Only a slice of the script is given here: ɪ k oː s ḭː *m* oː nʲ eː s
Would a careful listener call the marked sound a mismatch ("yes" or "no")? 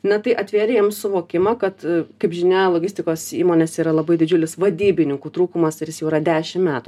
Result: no